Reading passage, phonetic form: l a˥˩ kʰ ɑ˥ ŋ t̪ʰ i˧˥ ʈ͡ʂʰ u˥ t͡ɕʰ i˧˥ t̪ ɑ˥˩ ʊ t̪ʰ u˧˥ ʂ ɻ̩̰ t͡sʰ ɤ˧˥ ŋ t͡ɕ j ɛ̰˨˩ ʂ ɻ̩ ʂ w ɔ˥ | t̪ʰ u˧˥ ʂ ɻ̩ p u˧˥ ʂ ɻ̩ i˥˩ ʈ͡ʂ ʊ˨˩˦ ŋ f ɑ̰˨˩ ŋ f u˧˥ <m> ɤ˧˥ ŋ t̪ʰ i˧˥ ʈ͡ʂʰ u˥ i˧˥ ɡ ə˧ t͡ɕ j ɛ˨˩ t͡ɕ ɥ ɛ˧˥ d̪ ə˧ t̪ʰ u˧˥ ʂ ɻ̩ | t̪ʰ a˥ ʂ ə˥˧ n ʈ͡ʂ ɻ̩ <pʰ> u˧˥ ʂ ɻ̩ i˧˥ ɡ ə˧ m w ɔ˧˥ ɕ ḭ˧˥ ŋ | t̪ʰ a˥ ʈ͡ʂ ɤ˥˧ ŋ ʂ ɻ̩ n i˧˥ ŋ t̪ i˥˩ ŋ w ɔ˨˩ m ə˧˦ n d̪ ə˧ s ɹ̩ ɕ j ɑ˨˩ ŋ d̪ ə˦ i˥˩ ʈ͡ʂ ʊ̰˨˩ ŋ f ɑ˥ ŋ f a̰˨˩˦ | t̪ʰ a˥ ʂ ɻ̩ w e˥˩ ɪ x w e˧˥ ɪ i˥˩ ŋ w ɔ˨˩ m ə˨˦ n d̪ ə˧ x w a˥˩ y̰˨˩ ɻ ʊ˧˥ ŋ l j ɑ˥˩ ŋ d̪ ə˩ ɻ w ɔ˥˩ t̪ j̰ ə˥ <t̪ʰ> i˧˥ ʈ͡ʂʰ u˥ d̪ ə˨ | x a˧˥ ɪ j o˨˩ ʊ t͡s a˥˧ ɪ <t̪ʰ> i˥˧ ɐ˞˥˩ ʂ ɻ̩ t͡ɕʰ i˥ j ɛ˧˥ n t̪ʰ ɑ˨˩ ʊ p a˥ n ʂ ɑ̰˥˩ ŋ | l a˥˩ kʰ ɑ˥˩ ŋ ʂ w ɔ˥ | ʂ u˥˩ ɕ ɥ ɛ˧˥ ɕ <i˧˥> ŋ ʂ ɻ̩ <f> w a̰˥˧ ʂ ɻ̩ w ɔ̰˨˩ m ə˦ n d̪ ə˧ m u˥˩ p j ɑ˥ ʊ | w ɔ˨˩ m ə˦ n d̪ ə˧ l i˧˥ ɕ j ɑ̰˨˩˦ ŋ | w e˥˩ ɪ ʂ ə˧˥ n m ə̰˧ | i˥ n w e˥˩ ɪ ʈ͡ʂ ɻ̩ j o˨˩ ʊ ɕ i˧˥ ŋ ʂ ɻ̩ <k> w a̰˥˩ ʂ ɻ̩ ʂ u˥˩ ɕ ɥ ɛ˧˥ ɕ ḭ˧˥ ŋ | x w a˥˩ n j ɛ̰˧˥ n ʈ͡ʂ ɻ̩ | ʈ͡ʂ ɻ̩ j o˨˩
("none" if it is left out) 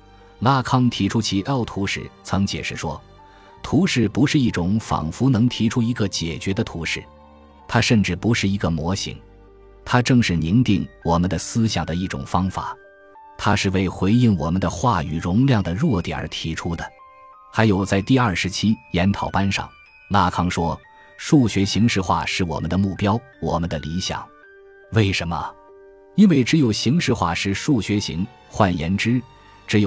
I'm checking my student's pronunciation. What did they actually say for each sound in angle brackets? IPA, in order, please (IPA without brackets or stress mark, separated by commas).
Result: n, p, t̪ʰ, t̪, i˧˥, x, x